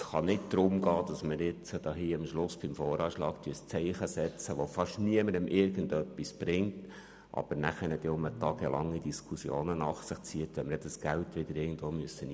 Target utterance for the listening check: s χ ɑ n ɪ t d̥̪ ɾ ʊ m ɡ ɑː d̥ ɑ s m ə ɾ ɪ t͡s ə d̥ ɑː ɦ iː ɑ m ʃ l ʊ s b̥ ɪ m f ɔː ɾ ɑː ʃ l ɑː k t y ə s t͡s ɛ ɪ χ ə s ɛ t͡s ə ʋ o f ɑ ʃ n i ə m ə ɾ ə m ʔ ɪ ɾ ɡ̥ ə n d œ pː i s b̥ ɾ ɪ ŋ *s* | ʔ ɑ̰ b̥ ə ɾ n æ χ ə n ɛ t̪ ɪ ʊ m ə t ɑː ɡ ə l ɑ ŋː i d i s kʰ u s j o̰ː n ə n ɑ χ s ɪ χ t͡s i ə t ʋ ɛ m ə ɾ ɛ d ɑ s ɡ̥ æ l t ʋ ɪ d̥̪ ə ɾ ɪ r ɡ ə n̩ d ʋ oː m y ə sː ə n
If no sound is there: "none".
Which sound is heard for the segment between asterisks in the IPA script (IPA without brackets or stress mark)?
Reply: t